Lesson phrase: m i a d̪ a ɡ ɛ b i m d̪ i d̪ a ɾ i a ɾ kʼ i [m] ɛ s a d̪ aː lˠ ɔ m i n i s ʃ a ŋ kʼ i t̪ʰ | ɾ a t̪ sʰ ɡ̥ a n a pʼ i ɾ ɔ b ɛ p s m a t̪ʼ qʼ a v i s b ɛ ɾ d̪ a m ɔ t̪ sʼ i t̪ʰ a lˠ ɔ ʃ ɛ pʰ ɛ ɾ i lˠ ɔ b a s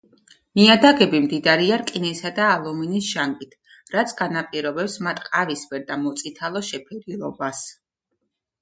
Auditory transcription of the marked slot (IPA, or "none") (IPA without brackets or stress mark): n